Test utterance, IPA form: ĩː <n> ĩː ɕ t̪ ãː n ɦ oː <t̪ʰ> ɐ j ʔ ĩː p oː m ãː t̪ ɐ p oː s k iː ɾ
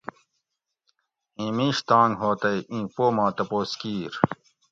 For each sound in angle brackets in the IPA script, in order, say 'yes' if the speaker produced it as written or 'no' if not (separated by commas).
no, no